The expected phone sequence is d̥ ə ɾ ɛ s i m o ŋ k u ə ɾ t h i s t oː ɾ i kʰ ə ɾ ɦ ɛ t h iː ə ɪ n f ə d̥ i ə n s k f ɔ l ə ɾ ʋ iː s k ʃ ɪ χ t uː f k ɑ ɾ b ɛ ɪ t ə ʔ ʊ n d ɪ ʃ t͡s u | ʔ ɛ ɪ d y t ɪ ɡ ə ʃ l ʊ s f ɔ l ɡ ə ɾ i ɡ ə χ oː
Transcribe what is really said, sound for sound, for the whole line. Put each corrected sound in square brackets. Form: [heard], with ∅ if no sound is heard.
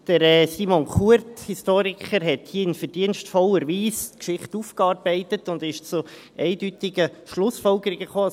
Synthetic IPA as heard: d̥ ə ɾ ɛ s i m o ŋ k u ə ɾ t h i s t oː ɾ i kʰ ə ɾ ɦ ɛ t h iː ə ɪ n f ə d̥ i ə n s [t] f ɔ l ə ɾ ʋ iː s k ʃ ɪ χ t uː f k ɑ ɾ b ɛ ɪ t ə [t] ʊ n d ɪ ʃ t͡s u | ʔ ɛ ɪ d y t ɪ ɡ ə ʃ l ʊ s f ɔ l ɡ ə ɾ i ɡ ə χ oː